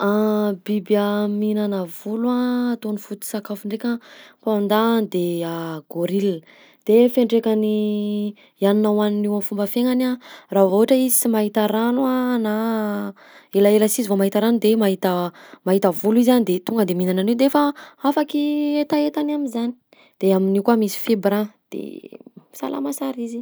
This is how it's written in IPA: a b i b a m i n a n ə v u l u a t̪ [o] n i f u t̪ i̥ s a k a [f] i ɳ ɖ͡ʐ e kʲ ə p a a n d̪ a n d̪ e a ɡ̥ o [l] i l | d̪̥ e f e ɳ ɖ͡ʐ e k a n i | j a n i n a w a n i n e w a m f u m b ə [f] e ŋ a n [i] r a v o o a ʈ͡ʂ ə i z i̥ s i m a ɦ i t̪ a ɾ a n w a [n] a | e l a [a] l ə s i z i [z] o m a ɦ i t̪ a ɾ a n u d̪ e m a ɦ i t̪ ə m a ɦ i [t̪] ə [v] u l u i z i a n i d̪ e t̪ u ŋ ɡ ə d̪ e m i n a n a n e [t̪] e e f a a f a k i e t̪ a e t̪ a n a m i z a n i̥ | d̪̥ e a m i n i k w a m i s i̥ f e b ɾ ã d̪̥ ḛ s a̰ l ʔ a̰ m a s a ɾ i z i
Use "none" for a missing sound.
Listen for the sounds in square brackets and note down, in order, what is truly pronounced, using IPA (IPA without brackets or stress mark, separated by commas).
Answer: o, f, ɾ, f, a, n, e, v, t̪, v, d̪